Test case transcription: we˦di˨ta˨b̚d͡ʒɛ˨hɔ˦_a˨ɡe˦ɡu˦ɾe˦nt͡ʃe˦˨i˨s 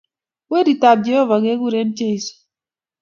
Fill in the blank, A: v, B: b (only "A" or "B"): A